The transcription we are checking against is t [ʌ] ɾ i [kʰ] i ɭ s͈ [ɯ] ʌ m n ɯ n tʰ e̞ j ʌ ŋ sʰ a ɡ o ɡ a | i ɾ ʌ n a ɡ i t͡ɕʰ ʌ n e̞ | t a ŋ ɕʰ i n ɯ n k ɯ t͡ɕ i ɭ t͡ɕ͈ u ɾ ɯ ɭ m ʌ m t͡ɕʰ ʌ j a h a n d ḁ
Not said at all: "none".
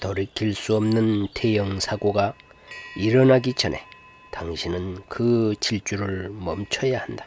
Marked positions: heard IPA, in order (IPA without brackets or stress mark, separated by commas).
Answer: ʌ, kʰ, u